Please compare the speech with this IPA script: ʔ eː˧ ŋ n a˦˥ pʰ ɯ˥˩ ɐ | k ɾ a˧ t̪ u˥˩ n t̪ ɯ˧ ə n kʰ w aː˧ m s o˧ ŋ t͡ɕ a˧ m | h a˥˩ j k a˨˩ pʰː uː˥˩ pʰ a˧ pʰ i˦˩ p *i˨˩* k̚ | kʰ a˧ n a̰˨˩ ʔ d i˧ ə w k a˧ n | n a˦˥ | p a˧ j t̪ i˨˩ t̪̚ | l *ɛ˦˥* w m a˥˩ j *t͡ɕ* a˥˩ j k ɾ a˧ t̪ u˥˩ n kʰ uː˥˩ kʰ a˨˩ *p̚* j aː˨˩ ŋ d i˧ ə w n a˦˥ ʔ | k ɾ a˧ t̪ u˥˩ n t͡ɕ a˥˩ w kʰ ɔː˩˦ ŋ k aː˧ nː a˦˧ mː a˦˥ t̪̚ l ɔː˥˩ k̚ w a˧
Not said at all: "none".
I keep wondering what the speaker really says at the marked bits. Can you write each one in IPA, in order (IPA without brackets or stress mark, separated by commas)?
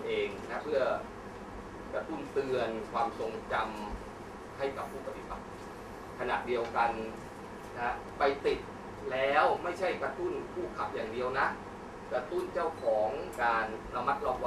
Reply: a˨˩, ɛː˦˥, t͡ɕʰ, p̚